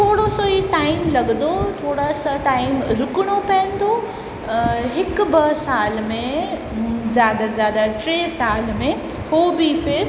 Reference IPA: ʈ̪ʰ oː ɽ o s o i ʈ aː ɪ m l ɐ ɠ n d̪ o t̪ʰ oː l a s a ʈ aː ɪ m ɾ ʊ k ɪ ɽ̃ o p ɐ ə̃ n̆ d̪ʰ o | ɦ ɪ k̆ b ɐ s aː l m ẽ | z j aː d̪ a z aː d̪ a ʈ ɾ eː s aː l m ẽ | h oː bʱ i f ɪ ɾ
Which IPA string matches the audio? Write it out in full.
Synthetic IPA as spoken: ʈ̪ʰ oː ɽ o s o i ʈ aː ɪ m l ɐ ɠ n d̪ o t̪ʰ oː ɽ a s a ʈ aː ɪ m ɾ ʊ k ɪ ɽ̃ o p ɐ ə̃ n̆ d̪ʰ o | ɦ ɪ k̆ b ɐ s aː l m ẽ | z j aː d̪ a z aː d̪ a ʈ ɾ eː s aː l m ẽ | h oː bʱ i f ɪ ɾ